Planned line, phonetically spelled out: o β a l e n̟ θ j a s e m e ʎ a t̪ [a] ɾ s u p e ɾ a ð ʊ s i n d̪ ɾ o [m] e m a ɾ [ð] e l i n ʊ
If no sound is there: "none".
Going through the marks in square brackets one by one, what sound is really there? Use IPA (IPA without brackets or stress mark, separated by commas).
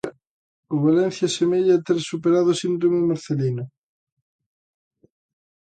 e, m, θ